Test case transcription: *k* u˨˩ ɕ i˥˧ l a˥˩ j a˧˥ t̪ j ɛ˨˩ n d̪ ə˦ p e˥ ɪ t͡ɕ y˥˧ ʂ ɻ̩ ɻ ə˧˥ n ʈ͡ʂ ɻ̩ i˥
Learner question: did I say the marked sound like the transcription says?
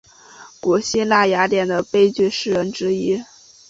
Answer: yes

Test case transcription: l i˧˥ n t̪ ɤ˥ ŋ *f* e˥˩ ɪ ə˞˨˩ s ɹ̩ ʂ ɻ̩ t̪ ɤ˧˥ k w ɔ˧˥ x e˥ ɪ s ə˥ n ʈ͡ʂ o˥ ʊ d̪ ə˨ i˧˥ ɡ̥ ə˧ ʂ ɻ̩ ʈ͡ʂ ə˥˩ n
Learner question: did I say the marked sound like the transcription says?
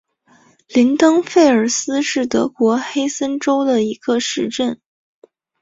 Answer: yes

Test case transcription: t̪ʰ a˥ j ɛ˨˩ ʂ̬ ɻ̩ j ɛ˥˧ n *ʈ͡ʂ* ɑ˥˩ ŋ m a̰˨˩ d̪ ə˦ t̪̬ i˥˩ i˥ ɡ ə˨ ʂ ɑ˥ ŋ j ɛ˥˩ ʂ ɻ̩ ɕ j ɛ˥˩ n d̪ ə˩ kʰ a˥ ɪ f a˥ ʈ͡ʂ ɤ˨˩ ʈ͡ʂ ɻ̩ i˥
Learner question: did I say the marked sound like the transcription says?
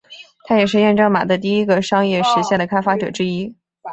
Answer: yes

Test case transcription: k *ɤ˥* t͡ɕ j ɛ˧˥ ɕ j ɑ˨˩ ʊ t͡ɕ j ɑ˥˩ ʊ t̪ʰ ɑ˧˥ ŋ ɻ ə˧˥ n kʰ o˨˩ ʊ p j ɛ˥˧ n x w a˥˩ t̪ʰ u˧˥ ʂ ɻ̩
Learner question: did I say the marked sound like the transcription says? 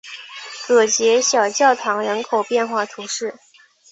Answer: no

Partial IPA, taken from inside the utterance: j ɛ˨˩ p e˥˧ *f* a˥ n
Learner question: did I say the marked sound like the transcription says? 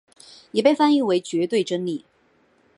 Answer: yes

